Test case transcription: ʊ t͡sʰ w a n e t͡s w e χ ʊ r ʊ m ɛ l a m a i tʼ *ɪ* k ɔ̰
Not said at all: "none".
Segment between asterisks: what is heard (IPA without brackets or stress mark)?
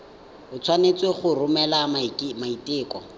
ɪː